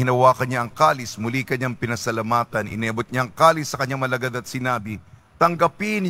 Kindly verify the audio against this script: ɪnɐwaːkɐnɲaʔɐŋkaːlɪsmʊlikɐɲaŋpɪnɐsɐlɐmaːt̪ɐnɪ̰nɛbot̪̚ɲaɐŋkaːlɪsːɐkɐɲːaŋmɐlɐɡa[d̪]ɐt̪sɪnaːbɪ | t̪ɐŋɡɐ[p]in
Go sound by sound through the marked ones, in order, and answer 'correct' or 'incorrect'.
correct, correct

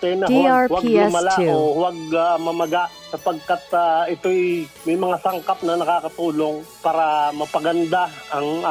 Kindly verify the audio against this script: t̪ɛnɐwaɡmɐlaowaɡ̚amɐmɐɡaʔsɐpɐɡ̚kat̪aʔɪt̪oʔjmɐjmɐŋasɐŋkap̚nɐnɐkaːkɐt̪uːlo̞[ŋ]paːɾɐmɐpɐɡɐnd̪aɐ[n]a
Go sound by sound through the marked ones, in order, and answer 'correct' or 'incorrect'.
correct, incorrect: ŋ

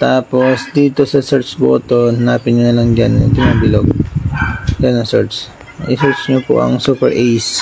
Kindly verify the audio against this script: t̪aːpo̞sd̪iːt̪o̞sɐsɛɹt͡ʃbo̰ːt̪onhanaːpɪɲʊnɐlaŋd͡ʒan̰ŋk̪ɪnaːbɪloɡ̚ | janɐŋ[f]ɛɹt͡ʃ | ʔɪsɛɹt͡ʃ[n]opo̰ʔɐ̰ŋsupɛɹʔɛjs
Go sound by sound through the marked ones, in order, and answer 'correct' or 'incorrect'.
incorrect: s, incorrect: ɲ

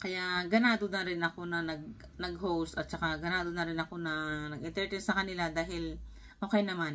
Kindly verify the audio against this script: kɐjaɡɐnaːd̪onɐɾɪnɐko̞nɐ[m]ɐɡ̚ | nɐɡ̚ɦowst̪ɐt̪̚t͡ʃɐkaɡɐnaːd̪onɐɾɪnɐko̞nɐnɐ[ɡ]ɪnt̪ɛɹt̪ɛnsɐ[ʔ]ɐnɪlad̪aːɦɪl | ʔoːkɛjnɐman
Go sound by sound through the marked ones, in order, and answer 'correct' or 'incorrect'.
incorrect: n, correct, incorrect: k

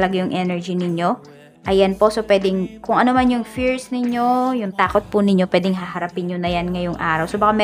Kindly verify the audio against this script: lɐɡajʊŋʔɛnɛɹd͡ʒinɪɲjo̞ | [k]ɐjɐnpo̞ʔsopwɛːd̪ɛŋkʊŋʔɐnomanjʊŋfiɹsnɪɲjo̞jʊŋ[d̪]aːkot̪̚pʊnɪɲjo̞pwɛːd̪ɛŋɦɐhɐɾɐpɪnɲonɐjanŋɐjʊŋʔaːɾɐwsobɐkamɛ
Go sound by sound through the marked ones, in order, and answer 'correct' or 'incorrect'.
incorrect: ʔ, incorrect: t̪

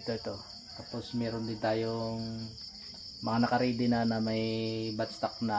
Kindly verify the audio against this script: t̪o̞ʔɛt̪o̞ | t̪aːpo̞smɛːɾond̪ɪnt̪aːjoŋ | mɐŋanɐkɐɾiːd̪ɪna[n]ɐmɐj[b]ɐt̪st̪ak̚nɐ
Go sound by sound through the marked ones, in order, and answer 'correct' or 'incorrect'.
correct, correct

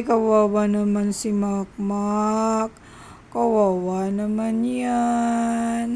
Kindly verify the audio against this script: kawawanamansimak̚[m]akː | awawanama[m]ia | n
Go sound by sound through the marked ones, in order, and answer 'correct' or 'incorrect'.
correct, incorrect: n

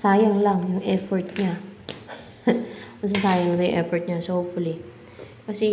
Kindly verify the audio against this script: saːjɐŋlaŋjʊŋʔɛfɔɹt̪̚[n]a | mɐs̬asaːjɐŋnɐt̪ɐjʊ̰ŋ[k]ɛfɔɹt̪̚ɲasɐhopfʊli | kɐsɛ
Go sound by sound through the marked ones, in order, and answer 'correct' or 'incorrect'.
incorrect: ɲ, incorrect: ʔ

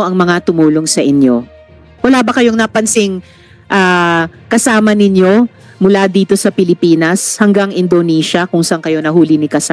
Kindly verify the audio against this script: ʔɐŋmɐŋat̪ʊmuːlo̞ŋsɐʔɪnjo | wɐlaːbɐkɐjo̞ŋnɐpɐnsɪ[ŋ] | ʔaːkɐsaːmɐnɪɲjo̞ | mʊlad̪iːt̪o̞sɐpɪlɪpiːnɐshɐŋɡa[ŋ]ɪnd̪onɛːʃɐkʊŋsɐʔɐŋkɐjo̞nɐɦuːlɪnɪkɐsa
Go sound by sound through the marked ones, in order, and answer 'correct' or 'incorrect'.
correct, correct

